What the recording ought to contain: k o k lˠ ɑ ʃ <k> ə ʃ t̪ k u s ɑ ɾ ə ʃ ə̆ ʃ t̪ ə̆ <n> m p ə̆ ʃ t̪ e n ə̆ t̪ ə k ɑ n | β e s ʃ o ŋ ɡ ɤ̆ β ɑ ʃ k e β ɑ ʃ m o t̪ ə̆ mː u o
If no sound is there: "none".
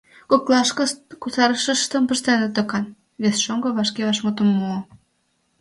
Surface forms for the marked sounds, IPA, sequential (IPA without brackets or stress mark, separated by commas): k, none